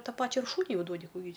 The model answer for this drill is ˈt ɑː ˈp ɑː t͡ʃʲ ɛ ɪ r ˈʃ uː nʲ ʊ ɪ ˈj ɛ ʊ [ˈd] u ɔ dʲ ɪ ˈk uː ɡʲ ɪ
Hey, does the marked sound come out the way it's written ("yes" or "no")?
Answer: yes